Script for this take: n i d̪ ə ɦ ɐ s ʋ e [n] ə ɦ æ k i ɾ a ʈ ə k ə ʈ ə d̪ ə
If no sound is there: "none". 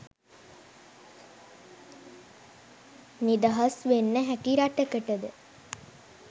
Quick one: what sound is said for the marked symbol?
nː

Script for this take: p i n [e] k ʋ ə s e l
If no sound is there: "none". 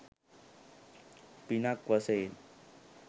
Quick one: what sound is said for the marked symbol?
a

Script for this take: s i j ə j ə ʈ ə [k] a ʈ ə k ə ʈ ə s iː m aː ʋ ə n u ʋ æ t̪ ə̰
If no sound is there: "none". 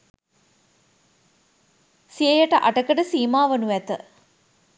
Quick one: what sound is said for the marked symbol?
ʔ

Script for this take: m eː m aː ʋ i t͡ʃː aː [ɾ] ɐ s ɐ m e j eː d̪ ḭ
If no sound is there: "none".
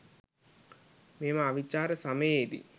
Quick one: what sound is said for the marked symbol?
ɾ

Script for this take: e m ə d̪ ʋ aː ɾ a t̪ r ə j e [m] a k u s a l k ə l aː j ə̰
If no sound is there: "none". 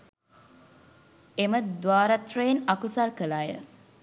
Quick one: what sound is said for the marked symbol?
n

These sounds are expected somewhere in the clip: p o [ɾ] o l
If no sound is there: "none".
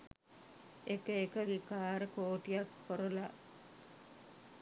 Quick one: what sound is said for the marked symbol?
ɾ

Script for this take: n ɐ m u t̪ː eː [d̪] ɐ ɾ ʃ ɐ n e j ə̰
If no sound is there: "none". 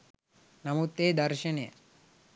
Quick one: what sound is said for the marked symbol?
d̪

